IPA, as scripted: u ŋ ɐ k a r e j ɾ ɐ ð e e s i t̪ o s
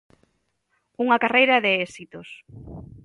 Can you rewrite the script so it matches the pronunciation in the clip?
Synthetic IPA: u ŋ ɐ k a r e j ɾ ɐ ð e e s i t̪ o s